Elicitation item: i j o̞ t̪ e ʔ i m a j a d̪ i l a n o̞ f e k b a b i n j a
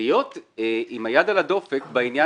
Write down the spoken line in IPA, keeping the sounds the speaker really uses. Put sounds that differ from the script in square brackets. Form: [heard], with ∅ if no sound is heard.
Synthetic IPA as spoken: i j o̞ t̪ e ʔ i m a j a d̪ [a] l a [d] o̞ f e k b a [∅] i n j a